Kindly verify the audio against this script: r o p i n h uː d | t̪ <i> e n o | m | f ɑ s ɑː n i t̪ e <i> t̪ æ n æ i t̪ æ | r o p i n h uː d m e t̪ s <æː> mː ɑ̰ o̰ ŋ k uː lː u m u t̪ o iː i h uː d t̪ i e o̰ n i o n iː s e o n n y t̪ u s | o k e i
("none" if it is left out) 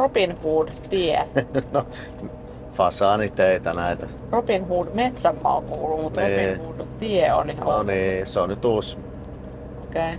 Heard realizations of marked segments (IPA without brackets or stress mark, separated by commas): i, i, æ